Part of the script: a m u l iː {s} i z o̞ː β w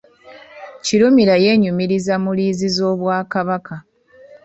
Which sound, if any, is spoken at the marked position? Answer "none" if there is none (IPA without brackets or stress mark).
z